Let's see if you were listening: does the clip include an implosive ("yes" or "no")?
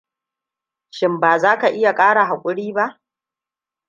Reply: no